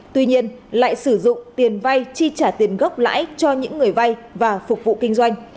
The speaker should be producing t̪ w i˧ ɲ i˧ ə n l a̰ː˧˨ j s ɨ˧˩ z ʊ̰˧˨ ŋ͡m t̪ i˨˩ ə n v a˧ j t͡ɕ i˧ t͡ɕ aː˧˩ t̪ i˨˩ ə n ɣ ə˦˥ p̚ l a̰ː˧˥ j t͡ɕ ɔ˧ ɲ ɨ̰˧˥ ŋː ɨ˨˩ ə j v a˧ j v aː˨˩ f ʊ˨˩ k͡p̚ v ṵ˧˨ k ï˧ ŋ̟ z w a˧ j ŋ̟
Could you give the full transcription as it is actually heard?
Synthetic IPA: t̪ w i˧ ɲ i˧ ə n l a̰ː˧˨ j s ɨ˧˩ z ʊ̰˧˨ ŋ͡m t̪ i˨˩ ə n v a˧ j t͡ɕ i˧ t͡ɕ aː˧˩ t̪ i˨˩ ə n ɣ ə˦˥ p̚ l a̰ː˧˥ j t͡ɕ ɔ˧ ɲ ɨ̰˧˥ ŋː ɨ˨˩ ə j v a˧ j v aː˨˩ f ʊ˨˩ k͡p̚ v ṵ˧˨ k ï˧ ŋ̟ z w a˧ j ŋ̟